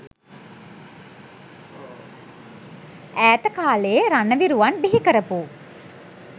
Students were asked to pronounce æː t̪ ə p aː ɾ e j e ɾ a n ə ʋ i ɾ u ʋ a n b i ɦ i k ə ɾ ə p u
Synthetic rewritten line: æː t̪ ə k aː l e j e ɾ a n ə ʋ i ɾ u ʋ a n b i ɦ i k ə ɾ ə p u